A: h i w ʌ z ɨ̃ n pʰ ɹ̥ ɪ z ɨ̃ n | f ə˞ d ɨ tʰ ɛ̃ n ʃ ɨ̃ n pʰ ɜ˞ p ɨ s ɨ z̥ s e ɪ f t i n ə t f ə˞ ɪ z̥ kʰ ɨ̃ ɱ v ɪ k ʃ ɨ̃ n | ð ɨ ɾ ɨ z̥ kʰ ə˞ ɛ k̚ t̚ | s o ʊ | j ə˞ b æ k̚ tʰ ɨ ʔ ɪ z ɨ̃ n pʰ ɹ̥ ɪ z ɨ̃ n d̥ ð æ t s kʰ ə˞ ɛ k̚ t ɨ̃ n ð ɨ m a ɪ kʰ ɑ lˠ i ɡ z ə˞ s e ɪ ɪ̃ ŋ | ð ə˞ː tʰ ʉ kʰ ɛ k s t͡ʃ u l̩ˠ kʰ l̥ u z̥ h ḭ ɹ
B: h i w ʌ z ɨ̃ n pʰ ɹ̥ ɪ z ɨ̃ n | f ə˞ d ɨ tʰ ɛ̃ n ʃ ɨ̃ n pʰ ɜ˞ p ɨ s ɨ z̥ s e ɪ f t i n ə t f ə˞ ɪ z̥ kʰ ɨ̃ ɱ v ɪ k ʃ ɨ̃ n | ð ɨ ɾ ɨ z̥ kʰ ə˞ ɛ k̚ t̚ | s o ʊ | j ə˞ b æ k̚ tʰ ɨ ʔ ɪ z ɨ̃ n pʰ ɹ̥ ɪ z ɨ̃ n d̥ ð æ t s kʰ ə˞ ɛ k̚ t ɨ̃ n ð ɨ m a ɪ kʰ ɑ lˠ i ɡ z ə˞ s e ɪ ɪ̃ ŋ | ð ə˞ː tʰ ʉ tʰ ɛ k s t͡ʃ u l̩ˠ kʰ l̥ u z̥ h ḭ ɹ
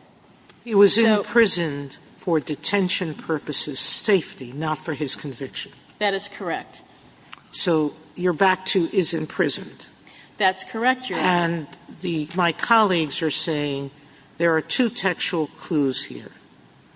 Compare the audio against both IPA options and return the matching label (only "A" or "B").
B